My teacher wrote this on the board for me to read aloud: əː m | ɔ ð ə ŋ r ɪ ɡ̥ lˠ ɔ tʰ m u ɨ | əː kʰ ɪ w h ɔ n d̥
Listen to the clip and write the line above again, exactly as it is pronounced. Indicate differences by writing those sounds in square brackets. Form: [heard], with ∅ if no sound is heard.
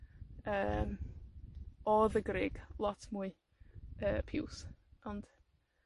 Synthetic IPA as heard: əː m | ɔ ð ə [ɡ] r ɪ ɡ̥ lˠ ɔ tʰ m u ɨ | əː [pʰ] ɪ w [s] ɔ n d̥